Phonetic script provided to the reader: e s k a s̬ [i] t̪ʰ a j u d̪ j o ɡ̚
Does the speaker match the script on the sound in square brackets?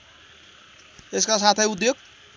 no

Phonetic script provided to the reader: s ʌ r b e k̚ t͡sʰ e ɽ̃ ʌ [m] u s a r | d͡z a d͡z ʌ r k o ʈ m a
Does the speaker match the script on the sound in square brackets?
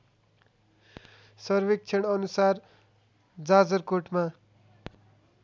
no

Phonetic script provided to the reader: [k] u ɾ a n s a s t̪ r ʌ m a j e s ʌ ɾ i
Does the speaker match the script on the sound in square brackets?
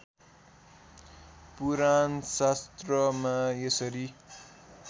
no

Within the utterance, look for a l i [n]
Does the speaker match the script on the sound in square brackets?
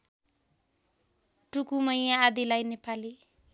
no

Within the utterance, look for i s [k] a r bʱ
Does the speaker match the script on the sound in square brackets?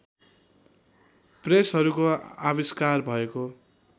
yes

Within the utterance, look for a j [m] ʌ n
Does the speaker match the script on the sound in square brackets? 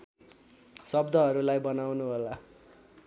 no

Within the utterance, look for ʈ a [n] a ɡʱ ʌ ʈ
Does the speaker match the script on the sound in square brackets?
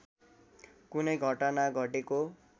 yes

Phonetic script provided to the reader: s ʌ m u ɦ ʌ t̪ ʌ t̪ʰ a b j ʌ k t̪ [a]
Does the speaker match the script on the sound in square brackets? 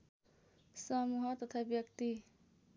no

